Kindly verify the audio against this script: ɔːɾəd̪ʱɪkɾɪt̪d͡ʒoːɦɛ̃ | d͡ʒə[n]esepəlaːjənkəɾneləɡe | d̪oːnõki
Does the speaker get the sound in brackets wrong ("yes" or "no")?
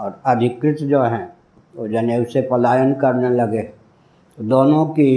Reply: no